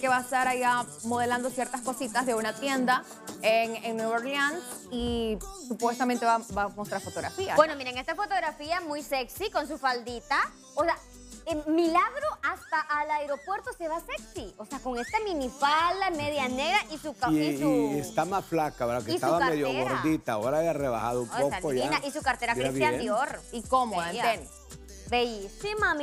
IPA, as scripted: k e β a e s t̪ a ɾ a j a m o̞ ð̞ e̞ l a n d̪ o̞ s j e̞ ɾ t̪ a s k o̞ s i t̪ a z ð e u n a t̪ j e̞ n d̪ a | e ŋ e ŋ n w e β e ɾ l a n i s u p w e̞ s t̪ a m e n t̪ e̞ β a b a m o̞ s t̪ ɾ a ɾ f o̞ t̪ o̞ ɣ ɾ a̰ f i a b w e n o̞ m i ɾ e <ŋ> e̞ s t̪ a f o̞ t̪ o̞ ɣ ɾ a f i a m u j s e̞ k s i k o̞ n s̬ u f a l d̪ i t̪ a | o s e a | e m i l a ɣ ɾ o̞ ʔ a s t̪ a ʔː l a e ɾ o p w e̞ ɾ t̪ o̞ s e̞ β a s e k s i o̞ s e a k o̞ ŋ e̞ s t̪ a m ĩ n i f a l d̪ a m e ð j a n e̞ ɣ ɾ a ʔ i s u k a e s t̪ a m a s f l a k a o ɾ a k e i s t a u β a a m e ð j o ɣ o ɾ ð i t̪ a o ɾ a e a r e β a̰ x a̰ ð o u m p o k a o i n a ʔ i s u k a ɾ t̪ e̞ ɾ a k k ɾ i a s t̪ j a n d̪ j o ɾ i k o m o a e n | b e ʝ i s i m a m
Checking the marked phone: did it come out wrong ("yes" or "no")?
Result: no